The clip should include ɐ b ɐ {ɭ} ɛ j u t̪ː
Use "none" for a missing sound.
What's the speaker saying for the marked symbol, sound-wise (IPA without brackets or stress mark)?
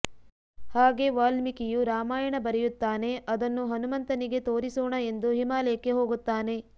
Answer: ɾ